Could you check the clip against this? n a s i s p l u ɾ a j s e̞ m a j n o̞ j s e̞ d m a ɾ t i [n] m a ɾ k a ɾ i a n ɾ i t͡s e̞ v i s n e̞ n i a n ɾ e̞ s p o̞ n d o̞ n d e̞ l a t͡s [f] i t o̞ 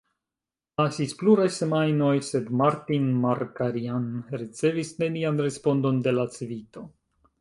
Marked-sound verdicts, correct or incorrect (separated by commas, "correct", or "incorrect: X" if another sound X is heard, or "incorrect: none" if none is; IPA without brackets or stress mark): correct, incorrect: v